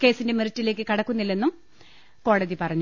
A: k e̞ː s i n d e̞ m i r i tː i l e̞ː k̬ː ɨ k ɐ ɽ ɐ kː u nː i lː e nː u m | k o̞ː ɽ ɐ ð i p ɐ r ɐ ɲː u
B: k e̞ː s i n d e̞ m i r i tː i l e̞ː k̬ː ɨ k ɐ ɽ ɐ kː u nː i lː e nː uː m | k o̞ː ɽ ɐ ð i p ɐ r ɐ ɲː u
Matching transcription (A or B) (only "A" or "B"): A